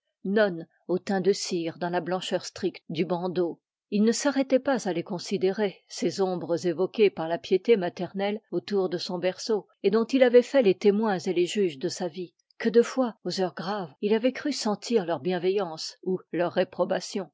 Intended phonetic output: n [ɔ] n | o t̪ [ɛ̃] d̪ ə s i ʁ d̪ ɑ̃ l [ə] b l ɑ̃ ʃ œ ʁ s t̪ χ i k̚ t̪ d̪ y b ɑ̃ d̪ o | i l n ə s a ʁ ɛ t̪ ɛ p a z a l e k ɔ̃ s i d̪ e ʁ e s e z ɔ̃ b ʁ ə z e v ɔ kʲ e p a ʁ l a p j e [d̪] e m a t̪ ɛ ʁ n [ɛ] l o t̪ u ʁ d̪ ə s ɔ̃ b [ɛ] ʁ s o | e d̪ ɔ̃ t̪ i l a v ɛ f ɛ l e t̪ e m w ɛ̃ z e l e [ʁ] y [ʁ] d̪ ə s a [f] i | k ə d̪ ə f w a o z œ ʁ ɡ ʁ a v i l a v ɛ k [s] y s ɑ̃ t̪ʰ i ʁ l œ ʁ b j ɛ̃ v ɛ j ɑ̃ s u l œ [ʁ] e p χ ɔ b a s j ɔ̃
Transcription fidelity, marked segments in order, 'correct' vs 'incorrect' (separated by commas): correct, correct, incorrect, incorrect, correct, correct, incorrect, incorrect, incorrect, incorrect, incorrect